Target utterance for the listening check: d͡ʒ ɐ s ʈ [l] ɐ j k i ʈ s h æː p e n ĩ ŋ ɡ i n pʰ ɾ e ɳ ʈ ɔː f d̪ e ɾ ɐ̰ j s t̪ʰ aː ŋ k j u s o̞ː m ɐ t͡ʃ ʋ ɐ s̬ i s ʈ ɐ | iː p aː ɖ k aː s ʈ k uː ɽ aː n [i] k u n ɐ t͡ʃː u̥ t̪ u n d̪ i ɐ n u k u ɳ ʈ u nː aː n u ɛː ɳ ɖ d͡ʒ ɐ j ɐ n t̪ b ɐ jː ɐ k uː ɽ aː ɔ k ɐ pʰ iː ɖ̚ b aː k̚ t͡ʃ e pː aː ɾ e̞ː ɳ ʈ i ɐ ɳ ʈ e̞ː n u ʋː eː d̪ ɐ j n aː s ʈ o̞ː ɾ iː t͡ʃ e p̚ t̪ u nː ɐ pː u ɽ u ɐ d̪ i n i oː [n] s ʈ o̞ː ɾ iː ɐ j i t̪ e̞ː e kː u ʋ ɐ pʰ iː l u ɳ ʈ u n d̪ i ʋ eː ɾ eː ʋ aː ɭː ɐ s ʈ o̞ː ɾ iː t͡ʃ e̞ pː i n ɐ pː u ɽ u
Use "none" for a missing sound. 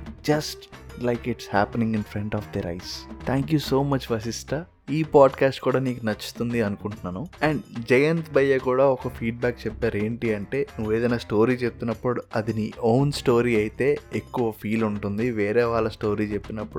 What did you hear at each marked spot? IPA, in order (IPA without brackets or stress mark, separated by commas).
l, iː, n